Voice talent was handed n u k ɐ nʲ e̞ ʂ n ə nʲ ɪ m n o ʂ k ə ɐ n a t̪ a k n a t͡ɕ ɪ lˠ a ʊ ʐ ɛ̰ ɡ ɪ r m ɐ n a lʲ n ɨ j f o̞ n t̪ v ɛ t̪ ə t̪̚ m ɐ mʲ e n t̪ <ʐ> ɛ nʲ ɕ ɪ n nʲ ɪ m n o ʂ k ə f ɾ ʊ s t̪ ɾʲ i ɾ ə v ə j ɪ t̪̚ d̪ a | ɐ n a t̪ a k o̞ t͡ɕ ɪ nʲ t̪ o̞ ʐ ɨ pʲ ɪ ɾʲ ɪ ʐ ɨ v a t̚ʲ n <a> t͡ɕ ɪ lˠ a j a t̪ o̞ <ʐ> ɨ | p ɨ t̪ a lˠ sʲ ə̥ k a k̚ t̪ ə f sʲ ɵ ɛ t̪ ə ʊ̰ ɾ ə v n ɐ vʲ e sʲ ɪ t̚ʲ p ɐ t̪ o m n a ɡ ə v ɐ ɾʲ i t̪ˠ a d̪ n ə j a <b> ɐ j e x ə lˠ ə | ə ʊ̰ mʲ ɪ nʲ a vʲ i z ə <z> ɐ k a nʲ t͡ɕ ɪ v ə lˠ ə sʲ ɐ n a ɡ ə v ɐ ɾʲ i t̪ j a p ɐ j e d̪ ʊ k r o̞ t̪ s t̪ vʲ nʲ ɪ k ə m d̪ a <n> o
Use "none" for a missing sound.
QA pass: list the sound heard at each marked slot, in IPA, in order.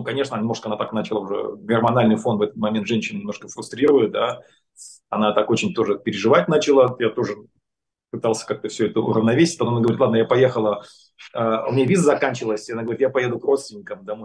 ʐ, a, ʐ, p, z, m

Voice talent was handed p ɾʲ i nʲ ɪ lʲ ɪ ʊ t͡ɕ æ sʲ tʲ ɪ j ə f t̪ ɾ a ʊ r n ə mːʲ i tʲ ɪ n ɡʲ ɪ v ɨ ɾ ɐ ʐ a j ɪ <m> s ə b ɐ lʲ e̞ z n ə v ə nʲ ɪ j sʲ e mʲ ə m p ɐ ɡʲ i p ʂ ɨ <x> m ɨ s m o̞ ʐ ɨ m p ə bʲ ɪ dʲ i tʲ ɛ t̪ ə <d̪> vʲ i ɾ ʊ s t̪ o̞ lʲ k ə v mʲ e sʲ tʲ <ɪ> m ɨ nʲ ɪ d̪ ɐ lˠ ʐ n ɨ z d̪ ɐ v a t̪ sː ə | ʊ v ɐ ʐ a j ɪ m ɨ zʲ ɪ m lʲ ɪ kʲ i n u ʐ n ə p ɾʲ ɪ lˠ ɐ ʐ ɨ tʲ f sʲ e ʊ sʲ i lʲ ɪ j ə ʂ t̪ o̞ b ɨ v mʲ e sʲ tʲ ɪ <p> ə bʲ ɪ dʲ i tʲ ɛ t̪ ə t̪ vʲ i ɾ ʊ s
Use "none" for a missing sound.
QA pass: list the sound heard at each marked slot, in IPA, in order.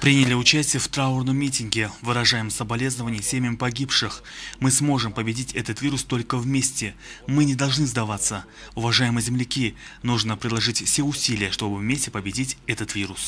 m, x, t̪, ɪ, p

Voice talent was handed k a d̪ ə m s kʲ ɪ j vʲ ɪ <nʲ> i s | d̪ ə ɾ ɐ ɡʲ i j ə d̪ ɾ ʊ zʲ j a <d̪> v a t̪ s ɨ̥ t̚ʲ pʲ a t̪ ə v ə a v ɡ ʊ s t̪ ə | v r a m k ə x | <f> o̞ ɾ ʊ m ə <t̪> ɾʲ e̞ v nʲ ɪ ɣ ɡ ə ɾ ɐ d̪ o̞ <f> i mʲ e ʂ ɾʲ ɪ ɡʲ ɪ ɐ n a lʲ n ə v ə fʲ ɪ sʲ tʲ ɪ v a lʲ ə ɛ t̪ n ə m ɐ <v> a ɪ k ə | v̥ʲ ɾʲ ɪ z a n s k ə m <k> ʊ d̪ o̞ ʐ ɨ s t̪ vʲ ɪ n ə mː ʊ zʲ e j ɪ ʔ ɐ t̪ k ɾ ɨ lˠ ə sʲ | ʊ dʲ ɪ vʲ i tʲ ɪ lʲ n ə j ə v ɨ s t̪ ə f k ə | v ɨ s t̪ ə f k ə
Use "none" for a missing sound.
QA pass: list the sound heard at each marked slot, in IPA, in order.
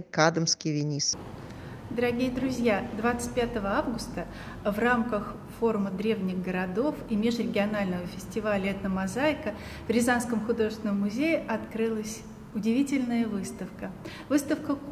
nʲ, d̪, f, d̪, f, z, x

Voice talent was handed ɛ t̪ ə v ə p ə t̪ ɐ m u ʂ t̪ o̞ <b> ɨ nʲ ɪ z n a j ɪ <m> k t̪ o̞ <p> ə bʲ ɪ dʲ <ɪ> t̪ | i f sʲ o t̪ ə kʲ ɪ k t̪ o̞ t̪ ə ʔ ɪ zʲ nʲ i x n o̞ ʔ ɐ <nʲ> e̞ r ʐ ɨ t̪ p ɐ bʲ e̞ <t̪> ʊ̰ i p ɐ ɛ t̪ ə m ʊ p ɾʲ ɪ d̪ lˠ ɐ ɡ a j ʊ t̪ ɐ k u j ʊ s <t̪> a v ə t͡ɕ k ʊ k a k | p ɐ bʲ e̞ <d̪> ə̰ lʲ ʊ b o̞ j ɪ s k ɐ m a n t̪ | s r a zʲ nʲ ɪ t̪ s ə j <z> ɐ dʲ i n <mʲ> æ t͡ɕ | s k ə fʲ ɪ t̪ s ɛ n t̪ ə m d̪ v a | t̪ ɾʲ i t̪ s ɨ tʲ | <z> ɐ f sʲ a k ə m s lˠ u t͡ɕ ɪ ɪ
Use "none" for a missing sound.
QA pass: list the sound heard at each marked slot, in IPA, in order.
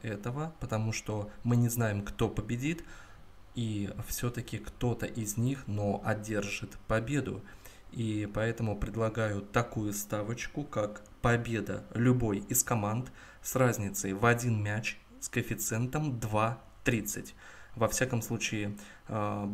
m, m, p, i, dʲ, d̪, t̪, d̪, v, mʲ, v

